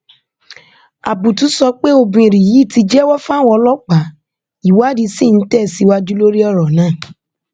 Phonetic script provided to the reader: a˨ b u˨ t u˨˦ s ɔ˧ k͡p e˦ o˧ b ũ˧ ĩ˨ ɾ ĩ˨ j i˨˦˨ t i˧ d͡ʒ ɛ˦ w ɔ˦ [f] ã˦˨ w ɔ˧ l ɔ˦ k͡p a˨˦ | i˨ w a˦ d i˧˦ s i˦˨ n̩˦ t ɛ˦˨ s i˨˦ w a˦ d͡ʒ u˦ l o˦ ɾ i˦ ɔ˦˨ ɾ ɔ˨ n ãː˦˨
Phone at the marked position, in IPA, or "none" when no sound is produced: f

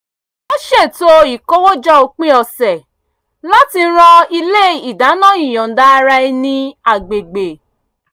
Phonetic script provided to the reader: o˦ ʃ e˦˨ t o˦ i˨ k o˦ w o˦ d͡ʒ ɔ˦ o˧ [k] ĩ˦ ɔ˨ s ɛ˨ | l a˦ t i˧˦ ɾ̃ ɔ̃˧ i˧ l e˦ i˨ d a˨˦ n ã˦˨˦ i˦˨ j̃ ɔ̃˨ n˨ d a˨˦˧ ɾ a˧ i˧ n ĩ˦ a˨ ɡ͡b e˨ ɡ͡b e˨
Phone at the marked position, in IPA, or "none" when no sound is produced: k͡p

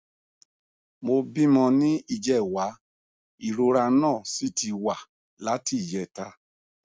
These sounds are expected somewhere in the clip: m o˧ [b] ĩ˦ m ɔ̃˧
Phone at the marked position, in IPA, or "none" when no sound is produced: b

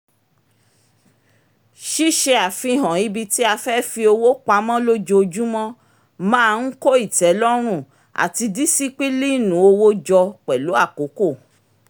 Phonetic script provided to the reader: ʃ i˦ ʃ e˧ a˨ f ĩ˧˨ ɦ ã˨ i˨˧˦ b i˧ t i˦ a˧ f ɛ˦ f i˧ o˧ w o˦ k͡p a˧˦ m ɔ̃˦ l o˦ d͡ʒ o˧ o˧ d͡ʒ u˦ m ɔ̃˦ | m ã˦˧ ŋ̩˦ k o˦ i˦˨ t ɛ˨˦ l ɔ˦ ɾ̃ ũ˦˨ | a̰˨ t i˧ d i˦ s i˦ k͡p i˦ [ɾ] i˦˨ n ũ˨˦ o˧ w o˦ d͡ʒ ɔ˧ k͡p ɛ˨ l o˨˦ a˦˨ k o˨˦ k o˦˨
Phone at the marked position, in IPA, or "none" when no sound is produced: l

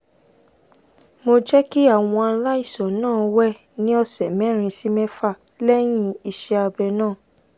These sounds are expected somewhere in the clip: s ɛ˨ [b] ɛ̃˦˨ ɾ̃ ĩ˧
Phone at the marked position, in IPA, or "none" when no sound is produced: m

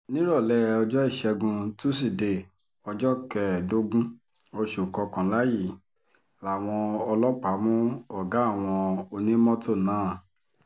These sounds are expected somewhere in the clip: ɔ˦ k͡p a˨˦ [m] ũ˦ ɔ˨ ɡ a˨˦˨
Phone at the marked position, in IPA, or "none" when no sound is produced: m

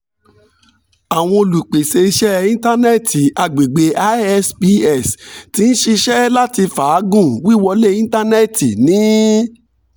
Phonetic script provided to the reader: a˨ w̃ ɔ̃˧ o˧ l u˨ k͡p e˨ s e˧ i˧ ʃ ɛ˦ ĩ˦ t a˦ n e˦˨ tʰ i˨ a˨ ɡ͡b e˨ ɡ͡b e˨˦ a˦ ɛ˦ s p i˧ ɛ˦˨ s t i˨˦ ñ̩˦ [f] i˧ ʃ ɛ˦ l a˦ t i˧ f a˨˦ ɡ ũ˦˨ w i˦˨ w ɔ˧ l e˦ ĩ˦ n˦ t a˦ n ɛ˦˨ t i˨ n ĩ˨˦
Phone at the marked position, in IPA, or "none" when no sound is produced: ʃ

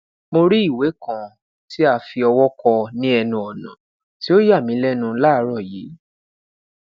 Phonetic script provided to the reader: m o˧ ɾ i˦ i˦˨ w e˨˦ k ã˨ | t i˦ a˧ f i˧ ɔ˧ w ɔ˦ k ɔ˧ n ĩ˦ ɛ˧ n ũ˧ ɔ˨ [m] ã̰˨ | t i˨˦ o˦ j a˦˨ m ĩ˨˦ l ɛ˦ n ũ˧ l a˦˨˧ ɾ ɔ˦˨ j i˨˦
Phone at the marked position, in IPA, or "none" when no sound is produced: n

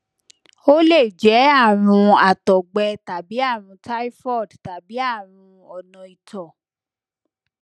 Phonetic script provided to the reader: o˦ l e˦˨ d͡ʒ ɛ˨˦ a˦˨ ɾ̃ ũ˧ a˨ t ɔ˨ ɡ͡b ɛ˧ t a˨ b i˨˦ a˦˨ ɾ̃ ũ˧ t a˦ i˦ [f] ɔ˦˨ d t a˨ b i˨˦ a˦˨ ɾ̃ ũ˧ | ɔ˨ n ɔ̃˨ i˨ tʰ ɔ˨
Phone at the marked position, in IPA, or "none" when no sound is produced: f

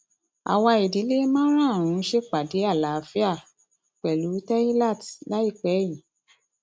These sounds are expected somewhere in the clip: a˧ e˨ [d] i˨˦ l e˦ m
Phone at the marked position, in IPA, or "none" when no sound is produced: d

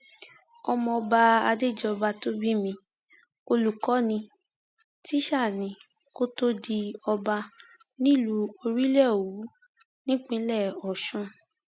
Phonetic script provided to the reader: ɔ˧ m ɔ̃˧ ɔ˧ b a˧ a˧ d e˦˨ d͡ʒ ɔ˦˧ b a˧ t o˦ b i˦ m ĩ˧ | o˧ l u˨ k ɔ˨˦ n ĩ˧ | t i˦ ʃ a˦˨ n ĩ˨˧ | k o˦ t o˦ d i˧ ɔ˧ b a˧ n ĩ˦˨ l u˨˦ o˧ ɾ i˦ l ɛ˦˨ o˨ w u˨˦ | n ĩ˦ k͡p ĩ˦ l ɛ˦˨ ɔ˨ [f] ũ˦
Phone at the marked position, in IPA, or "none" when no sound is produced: ʃ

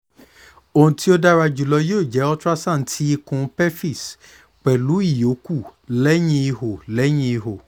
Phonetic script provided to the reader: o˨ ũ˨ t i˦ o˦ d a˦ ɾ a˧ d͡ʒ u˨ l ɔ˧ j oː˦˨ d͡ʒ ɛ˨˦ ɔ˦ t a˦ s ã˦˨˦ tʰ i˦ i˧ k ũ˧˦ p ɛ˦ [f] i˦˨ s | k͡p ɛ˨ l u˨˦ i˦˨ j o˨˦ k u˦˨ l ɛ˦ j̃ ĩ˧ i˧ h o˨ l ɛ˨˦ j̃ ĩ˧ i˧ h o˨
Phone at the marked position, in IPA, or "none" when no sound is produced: f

